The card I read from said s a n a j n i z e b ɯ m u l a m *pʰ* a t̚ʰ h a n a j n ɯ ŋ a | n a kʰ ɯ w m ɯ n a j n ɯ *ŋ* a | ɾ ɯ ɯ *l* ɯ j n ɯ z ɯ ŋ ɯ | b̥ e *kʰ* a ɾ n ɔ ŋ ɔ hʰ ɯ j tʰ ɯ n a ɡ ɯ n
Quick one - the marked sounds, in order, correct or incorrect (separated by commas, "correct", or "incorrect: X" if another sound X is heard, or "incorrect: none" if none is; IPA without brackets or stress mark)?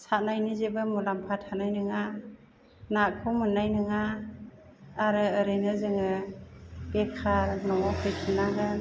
correct, correct, incorrect: ɾ, correct